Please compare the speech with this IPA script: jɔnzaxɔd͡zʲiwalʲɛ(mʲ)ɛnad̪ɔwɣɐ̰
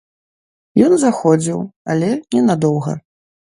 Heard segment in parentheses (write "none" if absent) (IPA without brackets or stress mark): nʲ